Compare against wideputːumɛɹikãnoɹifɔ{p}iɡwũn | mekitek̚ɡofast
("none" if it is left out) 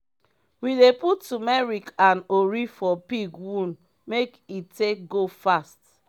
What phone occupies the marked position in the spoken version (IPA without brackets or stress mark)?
p